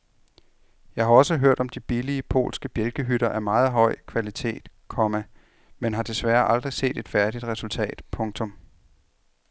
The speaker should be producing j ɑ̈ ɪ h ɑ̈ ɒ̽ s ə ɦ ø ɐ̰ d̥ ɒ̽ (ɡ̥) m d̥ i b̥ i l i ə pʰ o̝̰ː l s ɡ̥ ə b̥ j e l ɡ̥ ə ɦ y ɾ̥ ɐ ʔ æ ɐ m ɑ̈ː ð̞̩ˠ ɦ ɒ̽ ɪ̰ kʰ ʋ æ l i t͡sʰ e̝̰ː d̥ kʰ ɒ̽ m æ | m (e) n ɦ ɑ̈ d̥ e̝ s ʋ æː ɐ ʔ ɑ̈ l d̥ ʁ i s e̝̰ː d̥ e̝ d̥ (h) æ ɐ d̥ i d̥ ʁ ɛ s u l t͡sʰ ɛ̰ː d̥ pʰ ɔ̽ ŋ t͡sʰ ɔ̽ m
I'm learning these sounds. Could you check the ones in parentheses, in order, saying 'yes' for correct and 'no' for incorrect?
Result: no, yes, no

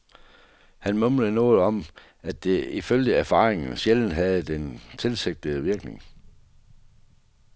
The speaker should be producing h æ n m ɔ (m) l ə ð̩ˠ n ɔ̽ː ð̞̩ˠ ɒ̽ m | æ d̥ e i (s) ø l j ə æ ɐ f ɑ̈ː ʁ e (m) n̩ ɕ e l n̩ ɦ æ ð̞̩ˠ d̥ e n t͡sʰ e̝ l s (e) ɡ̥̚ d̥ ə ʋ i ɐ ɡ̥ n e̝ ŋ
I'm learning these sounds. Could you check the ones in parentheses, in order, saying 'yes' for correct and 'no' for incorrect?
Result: yes, no, no, yes

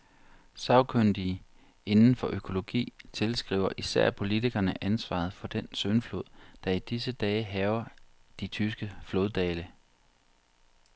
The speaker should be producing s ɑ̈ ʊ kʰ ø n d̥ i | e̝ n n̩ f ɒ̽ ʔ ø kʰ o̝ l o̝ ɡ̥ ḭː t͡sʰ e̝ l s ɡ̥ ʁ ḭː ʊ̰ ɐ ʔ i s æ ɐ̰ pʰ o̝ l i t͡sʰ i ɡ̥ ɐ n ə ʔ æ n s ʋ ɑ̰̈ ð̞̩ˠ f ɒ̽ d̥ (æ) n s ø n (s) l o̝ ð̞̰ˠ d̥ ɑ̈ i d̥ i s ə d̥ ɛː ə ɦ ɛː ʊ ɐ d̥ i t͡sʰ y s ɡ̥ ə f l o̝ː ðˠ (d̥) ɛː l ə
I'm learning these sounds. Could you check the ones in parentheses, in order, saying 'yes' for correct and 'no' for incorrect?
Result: no, no, yes

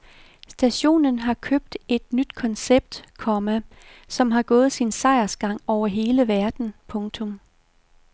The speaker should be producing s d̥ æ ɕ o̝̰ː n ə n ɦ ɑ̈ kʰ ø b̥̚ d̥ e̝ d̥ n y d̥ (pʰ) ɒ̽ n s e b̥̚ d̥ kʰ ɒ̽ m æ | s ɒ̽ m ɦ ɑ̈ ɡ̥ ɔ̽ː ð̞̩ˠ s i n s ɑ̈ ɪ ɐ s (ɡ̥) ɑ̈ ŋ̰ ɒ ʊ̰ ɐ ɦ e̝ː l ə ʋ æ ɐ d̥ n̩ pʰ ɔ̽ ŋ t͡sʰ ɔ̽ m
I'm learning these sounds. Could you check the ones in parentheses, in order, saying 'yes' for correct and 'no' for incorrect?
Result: no, yes

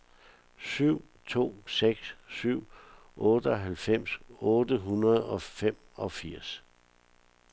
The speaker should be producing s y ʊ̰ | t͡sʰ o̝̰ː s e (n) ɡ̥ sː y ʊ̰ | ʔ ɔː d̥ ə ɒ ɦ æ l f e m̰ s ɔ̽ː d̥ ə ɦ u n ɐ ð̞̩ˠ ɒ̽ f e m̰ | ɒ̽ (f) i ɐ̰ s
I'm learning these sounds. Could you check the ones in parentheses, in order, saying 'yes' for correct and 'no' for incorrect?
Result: no, yes

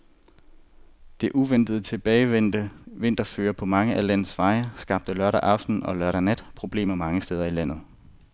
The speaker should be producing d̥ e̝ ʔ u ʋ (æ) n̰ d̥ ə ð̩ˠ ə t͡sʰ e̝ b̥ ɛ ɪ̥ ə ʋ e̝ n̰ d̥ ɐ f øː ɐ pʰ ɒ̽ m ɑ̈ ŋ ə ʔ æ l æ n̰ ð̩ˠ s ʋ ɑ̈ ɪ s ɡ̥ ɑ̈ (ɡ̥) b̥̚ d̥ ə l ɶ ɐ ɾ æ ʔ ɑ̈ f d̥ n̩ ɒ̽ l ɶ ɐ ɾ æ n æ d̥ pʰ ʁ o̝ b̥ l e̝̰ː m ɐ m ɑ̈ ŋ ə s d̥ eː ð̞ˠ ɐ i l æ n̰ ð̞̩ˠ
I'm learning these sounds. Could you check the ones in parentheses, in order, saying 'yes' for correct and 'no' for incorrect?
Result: no, no

